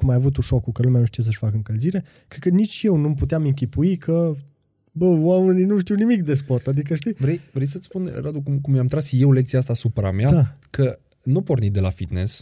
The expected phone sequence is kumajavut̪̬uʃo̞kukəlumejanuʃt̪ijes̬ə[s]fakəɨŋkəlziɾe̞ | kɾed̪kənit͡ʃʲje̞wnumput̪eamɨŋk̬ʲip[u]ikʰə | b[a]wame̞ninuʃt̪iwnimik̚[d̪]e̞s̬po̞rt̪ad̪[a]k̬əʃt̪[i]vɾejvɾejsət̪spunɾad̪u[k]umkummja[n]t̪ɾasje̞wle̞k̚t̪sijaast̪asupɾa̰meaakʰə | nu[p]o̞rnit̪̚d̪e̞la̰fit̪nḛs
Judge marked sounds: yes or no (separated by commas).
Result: no, yes, no, yes, no, yes, yes, no, yes